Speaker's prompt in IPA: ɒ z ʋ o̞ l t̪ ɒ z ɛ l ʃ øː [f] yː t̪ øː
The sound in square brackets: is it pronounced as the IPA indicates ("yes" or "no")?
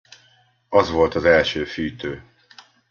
yes